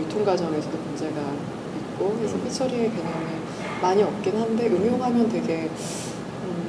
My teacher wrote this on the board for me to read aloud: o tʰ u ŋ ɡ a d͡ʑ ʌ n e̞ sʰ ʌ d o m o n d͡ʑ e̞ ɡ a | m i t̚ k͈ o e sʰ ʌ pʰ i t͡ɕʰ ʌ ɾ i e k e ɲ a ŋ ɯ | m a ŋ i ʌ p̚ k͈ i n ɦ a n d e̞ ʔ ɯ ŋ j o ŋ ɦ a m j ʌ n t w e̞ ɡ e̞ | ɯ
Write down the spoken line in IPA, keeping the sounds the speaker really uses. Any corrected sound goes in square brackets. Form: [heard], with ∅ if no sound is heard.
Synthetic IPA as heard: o tʰ [o] ŋ ɡ a d͡ʑ ʌ n e̞ sʰ ʌ d o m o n d͡ʑ e̞ ɡ a | m i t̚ k͈ o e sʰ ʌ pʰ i t͡ɕʰ ʌ ɾ i e k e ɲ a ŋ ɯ | m a [ɲ] i ʌ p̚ k͈ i n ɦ a n d e̞ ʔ ɯ [m] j o ŋ ɦ a m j ʌ n t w e̞ ɡ e̞ | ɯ